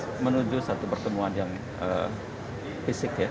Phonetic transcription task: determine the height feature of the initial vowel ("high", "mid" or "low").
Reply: mid